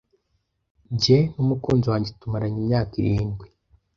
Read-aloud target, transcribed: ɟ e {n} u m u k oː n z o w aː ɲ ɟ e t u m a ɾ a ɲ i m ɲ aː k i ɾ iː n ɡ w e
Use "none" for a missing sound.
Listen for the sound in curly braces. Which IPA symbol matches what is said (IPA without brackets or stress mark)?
n